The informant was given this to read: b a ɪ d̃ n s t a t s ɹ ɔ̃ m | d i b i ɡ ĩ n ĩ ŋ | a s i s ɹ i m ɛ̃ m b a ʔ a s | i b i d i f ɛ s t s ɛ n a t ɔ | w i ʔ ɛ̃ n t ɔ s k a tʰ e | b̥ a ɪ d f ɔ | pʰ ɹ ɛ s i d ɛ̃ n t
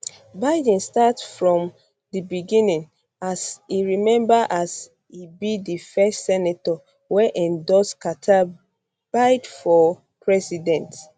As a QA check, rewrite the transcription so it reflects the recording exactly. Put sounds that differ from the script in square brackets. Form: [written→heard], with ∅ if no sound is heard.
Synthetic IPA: b a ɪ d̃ n s t a t [s→f] ɹ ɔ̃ m | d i b i ɡ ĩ n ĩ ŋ | a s i [s→∅] ɹ i m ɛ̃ m b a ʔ a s | i b i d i f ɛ s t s ɛ n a t ɔ | w [i→ɛ] ʔ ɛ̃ n [t→d] ɔ s k a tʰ [e→a] | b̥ a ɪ d f ɔ | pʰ ɹ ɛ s i d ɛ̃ n t